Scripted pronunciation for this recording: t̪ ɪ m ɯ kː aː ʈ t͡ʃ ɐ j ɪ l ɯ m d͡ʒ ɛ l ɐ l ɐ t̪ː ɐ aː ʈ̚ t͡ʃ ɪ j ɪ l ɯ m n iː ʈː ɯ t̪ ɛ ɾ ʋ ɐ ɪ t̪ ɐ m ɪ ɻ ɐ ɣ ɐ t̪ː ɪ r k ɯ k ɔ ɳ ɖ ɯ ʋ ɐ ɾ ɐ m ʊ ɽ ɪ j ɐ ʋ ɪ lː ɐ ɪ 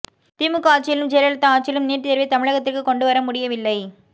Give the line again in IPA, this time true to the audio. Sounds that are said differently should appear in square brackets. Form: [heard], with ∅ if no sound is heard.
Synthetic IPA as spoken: t̪ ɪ m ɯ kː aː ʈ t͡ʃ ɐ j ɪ l ɯ m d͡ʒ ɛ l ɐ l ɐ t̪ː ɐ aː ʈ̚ t͡ʃ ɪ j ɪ l ɯ m n iː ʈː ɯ t̪ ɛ ɾ ʋ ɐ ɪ t̪ ɐ m ɪ ɻ ɐ ɣ ɐ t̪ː ɪ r k ɯ k ɔ ɳ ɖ ɯ ʋ ɐ ɾ ɐ m ʊ ɽ ɪ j ɐ ʋ ɪ lː ɐ ɪ